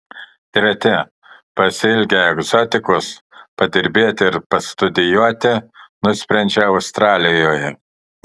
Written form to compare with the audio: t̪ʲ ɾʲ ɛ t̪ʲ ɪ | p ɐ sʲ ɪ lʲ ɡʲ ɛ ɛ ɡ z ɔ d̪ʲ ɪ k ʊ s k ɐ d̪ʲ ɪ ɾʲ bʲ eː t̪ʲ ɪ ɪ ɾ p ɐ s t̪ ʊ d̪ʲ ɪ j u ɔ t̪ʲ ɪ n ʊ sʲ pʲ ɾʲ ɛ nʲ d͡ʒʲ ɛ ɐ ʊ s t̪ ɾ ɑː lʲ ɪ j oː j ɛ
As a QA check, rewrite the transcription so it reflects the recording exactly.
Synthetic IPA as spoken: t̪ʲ ɾʲ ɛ t̪ʲ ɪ | p ɐ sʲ ɪ lʲ ɡʲ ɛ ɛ ɡ z ɔ t̪ʲ ɪ k ʊ s p ɐ d̪ʲ ɪ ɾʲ bʲ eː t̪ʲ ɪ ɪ ɾ p ɐ s t̪ ʊ d̪ʲ ɪ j u ɔ t̪ʲ ɪ n ʊ sʲ pʲ ɾʲ ɛ nʲ d͡ʒʲ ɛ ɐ ʊ s t̪ ɾ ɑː lʲ ɪ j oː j ɛ